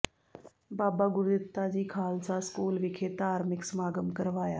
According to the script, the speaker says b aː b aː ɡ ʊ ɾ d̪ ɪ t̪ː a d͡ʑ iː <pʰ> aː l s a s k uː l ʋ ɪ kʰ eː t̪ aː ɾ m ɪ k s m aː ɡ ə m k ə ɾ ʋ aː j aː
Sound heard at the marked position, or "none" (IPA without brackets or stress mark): kʰ